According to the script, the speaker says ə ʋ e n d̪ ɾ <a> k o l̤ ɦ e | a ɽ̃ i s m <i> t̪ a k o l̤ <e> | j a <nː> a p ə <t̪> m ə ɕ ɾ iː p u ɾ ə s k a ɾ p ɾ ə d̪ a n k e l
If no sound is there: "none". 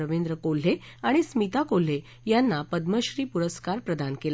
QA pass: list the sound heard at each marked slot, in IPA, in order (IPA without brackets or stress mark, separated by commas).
ə, i, e, nː, d̪